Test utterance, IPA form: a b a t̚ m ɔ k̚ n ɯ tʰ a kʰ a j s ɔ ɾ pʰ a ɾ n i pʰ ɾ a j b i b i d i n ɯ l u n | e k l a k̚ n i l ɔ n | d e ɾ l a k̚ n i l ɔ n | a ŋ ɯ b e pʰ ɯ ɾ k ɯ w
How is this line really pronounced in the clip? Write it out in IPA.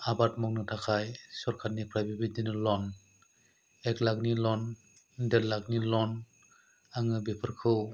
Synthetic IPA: a b a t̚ m ɔ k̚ n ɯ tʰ a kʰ a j s ɔ ɾ kʰ a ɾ n i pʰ ɾ a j b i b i d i n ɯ l ɔ n | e k l a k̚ n i l ɔ n | d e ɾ l a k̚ n i l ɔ n | a ŋ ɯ b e pʰ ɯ ɾ kʰ ɯ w